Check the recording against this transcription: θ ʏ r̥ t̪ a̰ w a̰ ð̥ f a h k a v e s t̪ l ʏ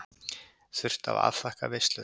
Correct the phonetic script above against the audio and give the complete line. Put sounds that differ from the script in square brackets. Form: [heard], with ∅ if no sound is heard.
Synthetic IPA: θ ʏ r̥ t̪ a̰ [v] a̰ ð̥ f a h k a v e s t̪ l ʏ